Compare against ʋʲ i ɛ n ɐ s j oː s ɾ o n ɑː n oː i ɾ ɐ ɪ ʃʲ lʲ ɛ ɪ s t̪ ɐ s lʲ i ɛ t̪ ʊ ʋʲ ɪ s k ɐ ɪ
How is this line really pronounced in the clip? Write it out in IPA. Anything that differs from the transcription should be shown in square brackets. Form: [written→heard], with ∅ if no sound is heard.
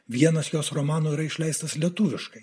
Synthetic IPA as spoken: ʋʲ i ɛ n ɐ s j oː s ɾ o [n→m] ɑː n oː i ɾ ɐ ɪ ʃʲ lʲ ɛ ɪ s t̪ ɐ s lʲ i ɛ t̪ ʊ ʋʲ ɪ [s→ʃ] k ɐ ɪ